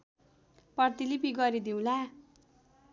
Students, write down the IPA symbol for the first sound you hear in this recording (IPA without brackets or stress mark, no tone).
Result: p